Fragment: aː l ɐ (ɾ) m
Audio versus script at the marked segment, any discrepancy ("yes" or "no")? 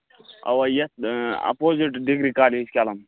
yes